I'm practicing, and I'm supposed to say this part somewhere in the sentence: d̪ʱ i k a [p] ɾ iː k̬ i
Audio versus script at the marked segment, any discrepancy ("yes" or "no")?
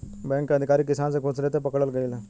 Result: yes